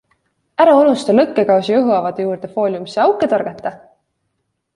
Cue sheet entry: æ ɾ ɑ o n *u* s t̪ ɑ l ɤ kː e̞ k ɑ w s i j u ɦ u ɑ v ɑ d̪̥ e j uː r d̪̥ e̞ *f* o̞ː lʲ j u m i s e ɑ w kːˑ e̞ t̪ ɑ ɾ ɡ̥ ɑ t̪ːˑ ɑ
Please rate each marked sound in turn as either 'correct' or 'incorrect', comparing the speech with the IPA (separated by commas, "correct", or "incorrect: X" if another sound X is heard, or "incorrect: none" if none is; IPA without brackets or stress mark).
correct, correct